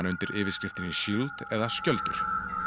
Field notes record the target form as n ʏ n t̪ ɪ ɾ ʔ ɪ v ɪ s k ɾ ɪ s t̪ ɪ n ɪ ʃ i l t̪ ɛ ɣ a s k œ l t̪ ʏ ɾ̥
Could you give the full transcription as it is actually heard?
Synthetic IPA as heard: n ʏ n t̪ ɪ ɾ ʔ ɪː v ɪ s k ɾ ɪ f t̪ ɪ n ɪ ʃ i l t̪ ɛ ð a s c œ l t̪ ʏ ɾ̥

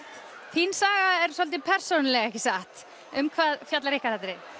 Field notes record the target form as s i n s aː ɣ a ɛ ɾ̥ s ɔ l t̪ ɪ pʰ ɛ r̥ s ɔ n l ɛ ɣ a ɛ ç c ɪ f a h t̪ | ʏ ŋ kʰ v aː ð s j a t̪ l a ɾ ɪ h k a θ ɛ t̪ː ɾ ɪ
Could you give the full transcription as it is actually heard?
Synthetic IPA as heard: θ i n s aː ɣ a ɛ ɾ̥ s ɔ l t̪ ɪ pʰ ɛ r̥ s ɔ n l ɛ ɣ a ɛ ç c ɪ s a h t̪ | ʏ m kʰ v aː ð f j a t̪ l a ɾ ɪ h k a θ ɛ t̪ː ɾ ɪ

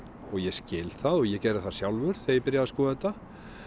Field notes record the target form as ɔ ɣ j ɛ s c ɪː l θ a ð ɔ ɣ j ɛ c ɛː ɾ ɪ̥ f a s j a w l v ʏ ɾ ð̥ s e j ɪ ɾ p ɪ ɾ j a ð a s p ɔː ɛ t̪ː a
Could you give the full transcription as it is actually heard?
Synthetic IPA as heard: ɔ ɣ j ɛ s c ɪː l θ a ð ɔ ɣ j ɛ c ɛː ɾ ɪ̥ θ a s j a w l v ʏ ɾ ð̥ θ e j ɪ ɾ p ɪ ɾ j a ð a s k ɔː ɛ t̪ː a

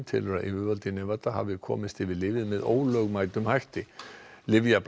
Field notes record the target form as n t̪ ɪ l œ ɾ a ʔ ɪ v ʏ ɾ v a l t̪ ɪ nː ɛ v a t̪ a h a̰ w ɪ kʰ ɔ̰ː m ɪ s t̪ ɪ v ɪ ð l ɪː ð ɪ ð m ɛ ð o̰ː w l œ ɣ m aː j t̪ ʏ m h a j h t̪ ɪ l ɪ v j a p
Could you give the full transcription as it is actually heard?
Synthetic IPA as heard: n t̪ʰ ɪ l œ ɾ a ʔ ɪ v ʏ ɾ v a l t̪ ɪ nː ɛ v a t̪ a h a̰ v ɪ kʰ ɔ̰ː m ɪ s t̪ ɪ v ɪ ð l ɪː v ɪ ð m ɛ ð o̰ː w l œ ɣ m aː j t̪ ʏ m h a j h t̪ ɪ l ɪ v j a p

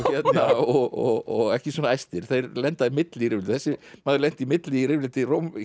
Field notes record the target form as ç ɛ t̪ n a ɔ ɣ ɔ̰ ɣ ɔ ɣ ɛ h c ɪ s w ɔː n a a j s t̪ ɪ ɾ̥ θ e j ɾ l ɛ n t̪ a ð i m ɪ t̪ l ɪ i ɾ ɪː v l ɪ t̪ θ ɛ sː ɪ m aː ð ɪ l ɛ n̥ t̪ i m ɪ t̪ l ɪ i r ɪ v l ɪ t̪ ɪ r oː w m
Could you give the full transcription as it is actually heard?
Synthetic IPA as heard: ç ɛ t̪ n a ɔ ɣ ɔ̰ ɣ ɔ ɣ ɛ h c ɪ s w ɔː n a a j s t̪ ɪ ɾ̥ θ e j ɾ l ɛ n t̪ a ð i m ɪ t̪ l ɪ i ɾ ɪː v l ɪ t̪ θ ɛ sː ɪ m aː ð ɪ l ɛ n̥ t̪ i m ɪ t̪ l ɪ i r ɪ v l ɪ t̪ ɪ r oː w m

